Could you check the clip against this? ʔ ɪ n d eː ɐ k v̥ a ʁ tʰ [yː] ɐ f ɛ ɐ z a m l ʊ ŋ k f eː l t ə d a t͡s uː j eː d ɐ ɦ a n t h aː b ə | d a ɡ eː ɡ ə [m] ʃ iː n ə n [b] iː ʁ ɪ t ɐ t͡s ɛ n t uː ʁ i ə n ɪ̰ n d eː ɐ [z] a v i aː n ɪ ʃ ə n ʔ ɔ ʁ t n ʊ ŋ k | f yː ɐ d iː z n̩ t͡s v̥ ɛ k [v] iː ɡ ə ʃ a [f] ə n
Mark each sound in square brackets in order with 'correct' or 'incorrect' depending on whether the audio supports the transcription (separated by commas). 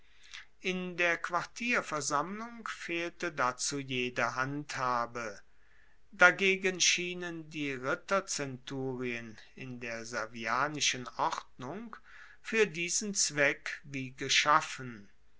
incorrect, incorrect, incorrect, correct, correct, correct